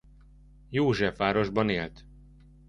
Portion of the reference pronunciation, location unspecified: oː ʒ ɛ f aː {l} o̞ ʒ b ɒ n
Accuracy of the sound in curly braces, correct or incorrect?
incorrect